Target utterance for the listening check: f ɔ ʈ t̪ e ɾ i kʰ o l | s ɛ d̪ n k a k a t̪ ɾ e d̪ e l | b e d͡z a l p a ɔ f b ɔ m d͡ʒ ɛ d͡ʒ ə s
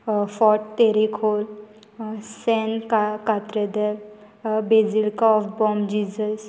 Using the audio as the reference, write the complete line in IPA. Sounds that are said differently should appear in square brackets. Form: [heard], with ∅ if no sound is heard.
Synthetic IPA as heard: f ɔ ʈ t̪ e ɾ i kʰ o l | s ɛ [∅] n k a k a t̪ ɾ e d̪ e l | b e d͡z [i] l [k] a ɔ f b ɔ m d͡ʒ [i] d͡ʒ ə s

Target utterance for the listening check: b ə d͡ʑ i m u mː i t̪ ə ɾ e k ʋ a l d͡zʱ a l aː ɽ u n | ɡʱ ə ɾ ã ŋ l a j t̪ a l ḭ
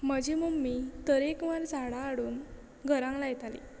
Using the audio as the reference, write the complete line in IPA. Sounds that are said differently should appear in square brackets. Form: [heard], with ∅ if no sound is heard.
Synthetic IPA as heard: [m] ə d͡ʑ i m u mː i t̪ ə ɾ e k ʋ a [ɾ] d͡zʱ a [ɽ] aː ɽ [uː] n | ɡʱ ə ɾ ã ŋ l a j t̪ a l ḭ

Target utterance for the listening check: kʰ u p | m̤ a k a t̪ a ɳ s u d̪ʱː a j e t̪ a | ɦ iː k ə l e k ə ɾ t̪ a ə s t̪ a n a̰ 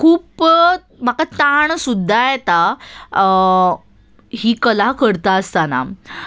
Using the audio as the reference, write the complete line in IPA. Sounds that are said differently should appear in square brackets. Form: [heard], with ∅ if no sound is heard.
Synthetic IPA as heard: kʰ [uː] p | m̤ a k a t̪ a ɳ s u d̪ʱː a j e t̪ a | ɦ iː k ə l [a] k ə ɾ t̪ a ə s t̪ a n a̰

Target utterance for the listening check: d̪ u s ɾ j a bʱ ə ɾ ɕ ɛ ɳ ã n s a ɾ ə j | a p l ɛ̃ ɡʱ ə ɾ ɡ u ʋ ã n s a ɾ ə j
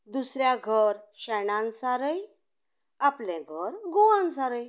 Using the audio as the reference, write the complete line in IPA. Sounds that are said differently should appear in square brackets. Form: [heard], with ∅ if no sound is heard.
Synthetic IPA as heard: d̪ u s ɾ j a [ɡʱ] ə ɾ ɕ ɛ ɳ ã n s a ɾ ə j | a p l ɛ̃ ɡʱ ə ɾ ɡ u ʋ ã n s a ɾ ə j

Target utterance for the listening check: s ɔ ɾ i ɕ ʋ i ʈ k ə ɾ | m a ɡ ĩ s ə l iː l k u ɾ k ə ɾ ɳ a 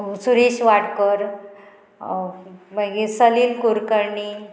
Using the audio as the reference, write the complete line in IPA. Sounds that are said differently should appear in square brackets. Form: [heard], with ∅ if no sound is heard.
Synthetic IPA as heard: s [u] ɾ i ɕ ʋ [a] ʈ k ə ɾ | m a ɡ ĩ s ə l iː l k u ɾ k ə ɾ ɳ [i]

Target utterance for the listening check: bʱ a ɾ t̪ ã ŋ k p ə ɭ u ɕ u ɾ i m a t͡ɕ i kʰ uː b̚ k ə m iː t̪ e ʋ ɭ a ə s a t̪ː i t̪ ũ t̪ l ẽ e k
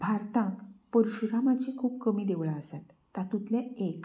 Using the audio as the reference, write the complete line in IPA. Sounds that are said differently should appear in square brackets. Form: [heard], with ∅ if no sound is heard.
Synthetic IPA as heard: bʱ a ɾ t̪ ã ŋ k p ə [ɾ] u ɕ u ɾ [a] m a t͡ɕ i kʰ uː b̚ k ə m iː [d̪] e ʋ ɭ a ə s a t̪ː [a] t̪ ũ t̪ l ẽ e k

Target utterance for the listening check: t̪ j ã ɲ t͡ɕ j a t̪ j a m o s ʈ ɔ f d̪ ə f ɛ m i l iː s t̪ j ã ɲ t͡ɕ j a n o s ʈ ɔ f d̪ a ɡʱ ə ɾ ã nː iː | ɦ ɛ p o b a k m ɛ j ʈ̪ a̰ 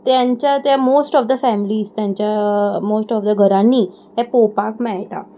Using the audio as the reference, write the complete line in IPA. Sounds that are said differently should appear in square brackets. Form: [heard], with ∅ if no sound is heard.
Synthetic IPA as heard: t̪ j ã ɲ t͡ɕ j a t̪ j a m o s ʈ ɔ f d̪ ə f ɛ m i l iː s t̪ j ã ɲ t͡ɕ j a [m] o s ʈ ɔ f d̪ [ə] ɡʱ ə ɾ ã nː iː | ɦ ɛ p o [p] a k m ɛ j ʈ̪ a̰

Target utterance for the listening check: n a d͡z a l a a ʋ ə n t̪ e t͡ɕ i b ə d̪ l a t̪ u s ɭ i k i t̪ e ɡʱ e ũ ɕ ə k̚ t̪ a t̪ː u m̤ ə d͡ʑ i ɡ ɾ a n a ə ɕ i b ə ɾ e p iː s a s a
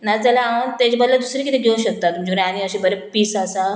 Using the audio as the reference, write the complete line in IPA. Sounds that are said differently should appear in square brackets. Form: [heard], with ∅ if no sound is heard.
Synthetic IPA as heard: n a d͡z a l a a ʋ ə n t̪ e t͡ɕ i b ə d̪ l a [d̪] u s [ɾ] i k i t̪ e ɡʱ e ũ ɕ ə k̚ t̪ a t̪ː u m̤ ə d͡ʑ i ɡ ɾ a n [i] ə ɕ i b ə ɾ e p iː s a s a

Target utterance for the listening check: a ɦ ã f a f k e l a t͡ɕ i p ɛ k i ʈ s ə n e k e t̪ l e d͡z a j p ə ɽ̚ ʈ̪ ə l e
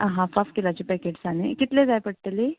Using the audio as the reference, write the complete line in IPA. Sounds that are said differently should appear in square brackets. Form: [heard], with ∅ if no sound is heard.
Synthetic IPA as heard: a ɦ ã f a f k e l a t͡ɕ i p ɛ k [e] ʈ s [a] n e k [i] t̪ l e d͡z a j p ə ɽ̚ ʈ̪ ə l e

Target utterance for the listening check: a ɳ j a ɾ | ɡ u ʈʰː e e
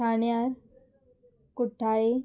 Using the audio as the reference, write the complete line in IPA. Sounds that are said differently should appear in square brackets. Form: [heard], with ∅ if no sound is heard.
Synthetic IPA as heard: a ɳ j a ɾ | [k] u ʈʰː [a] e

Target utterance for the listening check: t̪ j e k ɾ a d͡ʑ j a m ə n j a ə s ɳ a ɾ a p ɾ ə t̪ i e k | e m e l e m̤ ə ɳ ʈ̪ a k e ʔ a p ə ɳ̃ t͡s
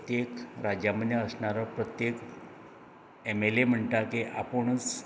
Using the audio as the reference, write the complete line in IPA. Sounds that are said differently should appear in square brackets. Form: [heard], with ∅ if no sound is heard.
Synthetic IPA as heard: t̪ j e k ɾ a d͡ʑ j a m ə n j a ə s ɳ a ɾ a p ɾ ə t̪ [j] e k | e m e l e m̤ ə ɳ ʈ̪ a k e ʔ a p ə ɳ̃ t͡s

